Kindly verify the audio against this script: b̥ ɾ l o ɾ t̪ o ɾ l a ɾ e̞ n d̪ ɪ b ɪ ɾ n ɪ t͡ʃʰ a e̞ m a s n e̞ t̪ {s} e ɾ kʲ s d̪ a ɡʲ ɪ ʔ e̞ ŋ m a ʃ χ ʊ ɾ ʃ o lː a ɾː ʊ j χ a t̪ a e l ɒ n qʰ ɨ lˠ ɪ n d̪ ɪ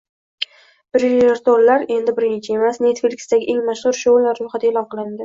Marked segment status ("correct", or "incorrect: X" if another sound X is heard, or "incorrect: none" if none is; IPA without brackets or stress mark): incorrect: f